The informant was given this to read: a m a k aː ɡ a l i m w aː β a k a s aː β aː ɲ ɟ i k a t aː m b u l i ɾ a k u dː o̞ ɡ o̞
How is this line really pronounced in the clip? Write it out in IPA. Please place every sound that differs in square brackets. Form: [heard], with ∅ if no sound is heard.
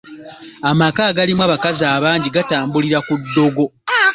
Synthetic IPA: a m a k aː ɡ a l i m w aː β a k a [z] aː β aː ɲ ɟ i [ɡ] a t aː m b u l i ɾ a k u dː o̞ ɡ o̞